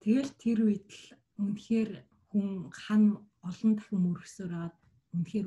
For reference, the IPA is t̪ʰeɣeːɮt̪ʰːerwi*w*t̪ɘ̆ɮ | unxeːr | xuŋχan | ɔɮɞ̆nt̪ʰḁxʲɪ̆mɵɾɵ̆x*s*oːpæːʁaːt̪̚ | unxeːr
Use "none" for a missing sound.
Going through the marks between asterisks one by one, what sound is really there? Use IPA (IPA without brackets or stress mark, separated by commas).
none, s